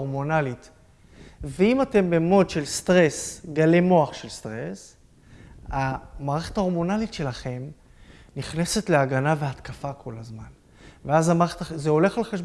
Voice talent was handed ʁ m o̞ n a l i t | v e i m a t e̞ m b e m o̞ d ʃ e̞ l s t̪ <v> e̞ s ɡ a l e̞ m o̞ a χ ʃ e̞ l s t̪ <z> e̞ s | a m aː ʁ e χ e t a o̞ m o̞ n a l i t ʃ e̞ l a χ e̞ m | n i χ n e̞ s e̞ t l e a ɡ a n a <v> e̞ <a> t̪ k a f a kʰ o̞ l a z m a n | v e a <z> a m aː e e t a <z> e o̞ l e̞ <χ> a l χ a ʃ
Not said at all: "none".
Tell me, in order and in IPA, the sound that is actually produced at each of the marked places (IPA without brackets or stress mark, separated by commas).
ʁ, ʁ, v, a, z, z, χ